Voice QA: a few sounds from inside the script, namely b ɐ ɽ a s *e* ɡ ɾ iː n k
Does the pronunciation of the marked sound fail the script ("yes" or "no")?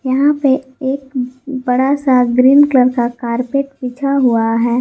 yes